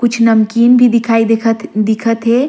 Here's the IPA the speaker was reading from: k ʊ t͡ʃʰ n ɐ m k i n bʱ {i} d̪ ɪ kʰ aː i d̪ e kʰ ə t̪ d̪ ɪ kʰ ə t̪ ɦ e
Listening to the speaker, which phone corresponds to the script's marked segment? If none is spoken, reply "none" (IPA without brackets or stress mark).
i